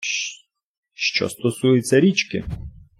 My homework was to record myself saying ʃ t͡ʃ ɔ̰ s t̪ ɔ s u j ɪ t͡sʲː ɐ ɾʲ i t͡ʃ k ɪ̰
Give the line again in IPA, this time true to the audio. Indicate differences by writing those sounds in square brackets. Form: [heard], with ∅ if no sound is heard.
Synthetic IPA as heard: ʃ t͡ʃ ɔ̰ s t̪ ɔ s u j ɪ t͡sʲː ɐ ɾʲ i t͡ʃ k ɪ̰